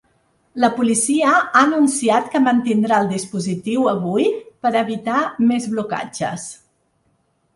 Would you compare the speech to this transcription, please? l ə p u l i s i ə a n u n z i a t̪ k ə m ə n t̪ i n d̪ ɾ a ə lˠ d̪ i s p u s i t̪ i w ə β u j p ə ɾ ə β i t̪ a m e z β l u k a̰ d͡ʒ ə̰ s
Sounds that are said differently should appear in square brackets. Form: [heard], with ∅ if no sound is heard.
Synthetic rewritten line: l ə p u l i s i ə a n u n [s] i a t̪ k ə m ə n t̪ i n d̪ ɾ a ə lˠ d̪ i s p u [z] i t̪ i w ə β u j p ə ɾ ə β i t̪ a m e z β l u k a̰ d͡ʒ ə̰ s